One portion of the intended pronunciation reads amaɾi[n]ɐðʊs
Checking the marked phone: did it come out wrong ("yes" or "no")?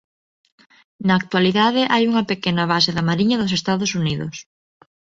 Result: yes